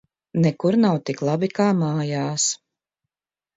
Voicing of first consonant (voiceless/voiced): voiced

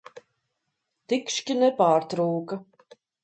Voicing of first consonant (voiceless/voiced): voiceless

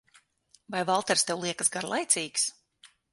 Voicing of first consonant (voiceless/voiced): voiced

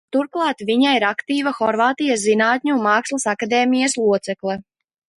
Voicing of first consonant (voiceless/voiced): voiceless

